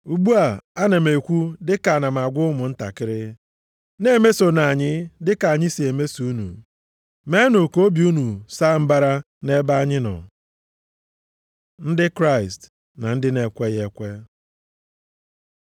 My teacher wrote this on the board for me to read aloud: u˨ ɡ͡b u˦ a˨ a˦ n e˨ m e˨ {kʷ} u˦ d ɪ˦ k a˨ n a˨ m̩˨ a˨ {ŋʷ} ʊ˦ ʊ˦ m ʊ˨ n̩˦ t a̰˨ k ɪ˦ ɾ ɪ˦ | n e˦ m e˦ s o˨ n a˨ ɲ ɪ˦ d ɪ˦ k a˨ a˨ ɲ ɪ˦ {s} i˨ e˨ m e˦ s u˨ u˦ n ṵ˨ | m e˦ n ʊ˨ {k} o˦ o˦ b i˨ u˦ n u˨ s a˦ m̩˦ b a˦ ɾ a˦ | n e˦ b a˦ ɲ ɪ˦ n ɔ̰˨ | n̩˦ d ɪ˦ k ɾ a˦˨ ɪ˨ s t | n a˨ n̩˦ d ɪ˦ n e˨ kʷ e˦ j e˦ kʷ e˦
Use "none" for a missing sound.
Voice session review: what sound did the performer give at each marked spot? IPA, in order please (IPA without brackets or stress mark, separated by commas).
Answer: kʷ, ɡʷ, s, k